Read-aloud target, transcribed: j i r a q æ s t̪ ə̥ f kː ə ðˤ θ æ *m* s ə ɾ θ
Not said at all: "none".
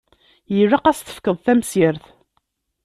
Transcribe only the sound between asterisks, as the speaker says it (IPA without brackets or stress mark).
m